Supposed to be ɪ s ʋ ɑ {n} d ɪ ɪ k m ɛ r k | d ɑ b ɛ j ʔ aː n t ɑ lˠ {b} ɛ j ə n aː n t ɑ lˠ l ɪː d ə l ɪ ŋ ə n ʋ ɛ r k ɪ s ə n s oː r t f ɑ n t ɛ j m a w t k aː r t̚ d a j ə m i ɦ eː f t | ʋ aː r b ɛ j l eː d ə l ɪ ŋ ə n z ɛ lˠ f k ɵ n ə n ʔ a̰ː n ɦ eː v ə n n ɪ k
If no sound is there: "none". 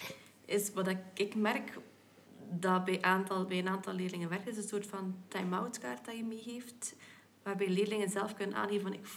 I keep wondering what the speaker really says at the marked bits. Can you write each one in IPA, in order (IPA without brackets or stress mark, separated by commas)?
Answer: none, b